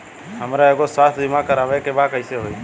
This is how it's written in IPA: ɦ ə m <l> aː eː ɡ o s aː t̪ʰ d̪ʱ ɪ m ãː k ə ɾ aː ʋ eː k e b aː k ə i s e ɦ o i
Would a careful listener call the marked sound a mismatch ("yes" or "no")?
yes